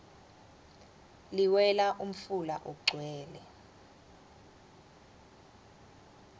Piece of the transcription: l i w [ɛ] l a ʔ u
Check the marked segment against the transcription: correct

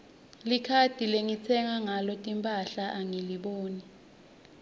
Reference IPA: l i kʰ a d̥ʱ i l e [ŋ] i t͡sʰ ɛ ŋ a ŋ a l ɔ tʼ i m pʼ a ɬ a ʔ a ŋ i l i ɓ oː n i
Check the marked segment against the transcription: correct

